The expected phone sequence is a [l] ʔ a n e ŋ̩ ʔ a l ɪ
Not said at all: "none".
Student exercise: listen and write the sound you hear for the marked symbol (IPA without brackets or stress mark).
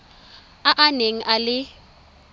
none